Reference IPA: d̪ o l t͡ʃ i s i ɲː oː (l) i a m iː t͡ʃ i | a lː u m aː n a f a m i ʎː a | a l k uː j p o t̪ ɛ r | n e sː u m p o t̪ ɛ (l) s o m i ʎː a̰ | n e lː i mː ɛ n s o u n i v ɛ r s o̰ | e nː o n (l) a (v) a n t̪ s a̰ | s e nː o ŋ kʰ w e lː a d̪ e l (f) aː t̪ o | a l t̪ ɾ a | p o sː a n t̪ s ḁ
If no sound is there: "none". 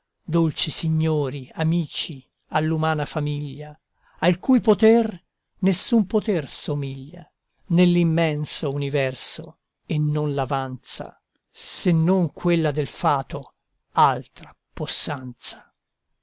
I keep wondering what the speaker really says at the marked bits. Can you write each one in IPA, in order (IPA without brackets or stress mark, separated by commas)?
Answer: ɾ, r, l, v, f